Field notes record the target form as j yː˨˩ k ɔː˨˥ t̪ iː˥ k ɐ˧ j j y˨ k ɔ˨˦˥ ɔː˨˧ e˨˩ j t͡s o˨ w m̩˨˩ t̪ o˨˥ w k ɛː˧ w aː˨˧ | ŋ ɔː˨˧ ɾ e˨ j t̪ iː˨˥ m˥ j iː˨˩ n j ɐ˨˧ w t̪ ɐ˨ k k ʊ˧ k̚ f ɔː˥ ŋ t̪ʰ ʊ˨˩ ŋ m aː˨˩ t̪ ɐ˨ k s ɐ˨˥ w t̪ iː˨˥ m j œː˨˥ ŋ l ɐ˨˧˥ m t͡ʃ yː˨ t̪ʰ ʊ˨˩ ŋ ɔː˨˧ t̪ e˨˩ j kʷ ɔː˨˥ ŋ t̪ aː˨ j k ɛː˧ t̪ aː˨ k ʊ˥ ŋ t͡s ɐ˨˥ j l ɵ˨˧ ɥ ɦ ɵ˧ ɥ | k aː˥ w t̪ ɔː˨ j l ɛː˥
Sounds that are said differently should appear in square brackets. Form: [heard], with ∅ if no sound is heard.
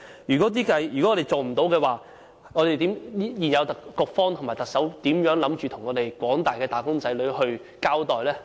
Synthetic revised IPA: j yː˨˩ k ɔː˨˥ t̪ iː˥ k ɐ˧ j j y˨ k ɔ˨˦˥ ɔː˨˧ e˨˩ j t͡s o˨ w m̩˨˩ t̪ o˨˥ w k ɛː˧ w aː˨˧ | ŋ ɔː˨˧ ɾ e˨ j t̪ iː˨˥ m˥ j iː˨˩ n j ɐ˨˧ w t̪ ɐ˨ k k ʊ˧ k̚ f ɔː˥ ŋ t̪ʰ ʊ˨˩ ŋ m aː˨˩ t̪ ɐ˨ k s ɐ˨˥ w t̪ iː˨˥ m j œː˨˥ ŋ l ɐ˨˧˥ m t͡ʃ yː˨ t̪ʰ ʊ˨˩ ŋ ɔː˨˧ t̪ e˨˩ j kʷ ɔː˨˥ ŋ t̪ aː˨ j k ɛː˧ t̪ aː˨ k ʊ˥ ŋ t͡s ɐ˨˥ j l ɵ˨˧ ɥ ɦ ɵ˧ ɥ | k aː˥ w t̪ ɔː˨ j l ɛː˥